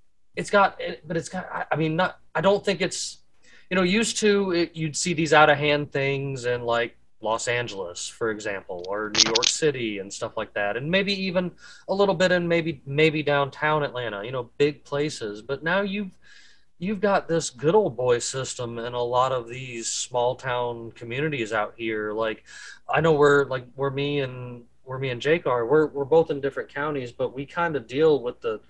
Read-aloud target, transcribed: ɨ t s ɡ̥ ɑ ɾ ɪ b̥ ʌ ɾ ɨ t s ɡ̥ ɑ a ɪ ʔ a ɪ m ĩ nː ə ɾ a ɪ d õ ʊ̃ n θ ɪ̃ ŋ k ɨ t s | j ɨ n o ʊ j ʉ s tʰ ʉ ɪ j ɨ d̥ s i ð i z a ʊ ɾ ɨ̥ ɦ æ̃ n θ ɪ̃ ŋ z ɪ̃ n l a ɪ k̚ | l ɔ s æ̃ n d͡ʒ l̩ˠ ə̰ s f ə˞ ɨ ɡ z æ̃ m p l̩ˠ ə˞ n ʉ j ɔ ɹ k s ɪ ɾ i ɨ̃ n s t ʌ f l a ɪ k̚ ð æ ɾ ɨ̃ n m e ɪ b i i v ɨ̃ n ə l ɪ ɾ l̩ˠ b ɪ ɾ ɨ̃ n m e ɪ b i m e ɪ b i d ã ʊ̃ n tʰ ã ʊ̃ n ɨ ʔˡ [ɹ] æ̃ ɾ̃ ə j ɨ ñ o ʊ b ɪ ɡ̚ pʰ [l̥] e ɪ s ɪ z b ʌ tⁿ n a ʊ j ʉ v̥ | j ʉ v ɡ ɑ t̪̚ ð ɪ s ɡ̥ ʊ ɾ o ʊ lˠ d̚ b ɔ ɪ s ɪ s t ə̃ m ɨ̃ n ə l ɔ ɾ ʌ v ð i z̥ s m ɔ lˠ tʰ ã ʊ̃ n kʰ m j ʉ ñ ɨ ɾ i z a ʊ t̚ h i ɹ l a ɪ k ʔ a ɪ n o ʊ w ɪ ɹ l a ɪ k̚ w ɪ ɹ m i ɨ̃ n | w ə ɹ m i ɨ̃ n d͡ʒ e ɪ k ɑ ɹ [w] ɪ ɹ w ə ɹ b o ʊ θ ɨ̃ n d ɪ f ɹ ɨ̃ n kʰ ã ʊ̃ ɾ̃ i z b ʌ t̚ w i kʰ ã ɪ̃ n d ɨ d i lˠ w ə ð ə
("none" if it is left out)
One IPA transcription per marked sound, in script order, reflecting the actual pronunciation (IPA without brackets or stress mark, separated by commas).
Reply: l, l̥, w